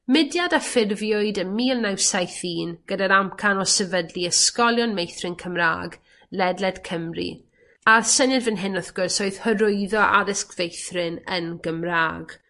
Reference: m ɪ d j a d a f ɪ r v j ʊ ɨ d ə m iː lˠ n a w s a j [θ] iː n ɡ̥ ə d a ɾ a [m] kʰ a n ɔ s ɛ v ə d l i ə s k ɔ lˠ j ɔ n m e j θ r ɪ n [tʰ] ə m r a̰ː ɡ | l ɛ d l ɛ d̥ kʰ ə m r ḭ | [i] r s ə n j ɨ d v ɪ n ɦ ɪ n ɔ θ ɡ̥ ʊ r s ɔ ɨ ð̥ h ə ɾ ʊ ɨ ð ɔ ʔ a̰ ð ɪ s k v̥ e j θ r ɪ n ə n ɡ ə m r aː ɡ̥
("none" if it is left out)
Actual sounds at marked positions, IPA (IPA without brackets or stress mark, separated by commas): θ, m, kʰ, a